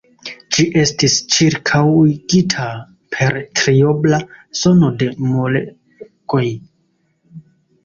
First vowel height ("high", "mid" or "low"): high